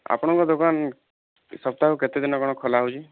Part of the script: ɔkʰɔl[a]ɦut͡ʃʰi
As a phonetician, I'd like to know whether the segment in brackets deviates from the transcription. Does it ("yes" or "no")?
no